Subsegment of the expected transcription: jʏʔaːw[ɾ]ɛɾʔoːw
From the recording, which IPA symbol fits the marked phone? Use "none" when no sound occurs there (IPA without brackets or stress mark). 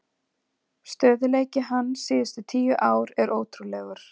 ɾ